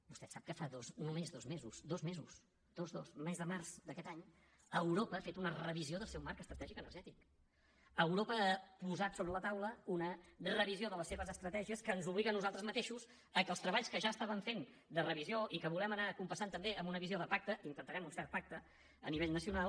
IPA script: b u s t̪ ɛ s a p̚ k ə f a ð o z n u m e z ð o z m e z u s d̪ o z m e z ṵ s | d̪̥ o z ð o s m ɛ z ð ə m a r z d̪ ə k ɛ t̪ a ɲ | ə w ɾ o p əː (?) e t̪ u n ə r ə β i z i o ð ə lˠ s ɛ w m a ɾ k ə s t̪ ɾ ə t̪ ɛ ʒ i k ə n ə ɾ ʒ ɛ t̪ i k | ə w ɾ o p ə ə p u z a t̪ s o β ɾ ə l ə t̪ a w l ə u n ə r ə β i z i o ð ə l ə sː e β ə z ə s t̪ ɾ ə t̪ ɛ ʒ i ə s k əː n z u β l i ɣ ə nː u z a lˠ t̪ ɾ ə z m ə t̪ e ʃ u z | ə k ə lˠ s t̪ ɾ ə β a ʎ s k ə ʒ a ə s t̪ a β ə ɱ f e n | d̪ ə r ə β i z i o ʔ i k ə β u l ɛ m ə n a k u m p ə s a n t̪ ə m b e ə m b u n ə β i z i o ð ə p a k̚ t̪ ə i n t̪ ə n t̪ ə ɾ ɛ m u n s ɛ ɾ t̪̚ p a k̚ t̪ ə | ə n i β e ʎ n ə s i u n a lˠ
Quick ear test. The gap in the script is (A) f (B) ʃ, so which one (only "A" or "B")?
A